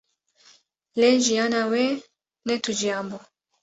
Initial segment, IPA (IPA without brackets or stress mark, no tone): l